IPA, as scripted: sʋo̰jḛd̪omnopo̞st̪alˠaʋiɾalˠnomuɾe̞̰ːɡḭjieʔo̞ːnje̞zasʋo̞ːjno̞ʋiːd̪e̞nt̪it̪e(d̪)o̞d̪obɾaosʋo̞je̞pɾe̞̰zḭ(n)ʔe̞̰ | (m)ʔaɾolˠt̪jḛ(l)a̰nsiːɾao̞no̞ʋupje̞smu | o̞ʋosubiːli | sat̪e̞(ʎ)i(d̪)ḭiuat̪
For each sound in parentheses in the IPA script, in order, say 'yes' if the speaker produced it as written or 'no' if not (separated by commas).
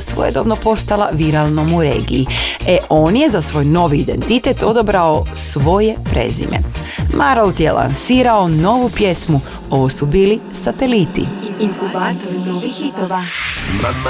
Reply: no, no, yes, yes, no, no